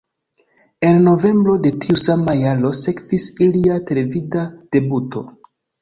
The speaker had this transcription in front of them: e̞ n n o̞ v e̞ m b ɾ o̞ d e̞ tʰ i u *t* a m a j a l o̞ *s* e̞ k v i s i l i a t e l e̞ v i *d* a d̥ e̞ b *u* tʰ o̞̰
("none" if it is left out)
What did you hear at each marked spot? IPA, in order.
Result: s, s, d, u

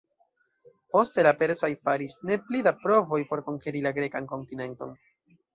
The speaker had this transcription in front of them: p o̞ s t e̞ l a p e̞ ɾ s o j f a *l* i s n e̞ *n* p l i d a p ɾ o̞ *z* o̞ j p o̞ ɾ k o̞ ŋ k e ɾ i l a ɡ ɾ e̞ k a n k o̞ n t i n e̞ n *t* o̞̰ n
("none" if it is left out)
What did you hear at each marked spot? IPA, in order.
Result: ɾ, none, v, t

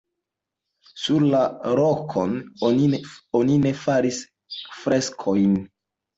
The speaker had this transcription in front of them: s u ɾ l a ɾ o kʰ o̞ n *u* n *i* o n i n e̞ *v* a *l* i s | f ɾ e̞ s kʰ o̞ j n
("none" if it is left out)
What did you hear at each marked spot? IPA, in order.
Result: o, i, f, ɾ

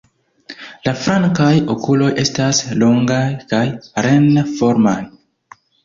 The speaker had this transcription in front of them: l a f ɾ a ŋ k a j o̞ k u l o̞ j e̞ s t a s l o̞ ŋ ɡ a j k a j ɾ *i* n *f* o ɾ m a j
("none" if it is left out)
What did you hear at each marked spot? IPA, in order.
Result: e, f

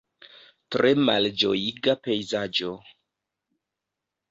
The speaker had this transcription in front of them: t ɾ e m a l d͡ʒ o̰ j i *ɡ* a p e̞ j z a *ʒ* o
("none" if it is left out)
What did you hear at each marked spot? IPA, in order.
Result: ɡ, d͡ʒ

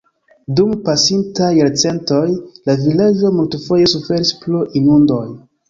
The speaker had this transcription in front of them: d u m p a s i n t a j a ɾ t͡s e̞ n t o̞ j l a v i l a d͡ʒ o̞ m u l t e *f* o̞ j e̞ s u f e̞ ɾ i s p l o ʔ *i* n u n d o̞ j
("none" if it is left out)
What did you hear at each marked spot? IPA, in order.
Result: f, i

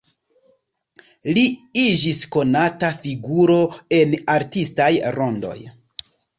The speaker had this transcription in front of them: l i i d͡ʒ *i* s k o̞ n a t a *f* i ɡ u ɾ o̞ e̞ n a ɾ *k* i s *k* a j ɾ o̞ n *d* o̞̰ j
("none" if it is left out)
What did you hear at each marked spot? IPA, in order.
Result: i, f, t, t, d

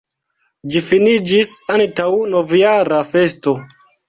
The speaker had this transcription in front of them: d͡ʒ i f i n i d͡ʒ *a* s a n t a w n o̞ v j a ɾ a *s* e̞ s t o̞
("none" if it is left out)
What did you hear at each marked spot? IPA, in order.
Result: i, f

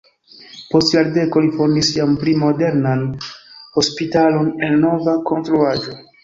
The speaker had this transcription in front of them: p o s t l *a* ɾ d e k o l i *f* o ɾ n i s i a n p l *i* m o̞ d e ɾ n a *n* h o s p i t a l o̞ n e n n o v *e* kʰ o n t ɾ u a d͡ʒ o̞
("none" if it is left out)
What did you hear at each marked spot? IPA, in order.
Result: a, f, i, n, a

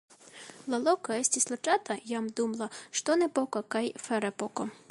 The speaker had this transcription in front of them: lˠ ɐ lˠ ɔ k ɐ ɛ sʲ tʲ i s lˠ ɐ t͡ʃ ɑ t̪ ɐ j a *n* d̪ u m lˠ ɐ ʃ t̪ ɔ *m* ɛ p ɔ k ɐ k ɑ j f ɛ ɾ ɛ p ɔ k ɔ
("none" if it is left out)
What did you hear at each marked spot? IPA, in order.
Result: m, n

